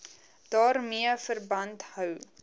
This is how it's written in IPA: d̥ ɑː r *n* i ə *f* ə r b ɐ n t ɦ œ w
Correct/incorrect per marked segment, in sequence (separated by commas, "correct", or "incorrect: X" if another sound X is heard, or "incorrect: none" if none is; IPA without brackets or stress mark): incorrect: m, correct